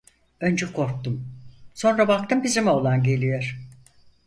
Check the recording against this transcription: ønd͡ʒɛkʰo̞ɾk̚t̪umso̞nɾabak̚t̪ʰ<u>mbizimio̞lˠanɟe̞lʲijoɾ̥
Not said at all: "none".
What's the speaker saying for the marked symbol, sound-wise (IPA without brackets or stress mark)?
ɯ